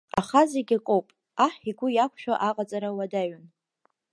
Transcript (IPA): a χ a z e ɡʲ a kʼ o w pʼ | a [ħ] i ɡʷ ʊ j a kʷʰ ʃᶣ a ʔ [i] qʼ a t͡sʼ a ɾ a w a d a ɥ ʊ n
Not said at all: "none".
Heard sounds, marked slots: ħ, a

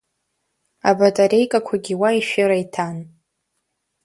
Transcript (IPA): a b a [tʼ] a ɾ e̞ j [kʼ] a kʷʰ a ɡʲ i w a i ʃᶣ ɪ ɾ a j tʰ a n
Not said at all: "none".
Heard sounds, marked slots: tʼ, kʼ

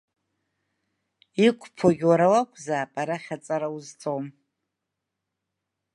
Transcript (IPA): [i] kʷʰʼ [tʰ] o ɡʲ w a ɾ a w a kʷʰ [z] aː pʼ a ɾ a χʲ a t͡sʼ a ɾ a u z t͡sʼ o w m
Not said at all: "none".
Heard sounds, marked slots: i, pʰ, z

